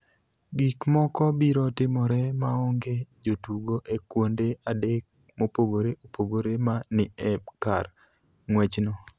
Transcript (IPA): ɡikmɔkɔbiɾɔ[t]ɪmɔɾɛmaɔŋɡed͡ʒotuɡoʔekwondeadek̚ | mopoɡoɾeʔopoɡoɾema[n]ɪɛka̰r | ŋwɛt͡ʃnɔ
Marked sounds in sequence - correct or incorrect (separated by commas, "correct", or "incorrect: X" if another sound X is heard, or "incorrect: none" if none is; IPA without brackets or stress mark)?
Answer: correct, correct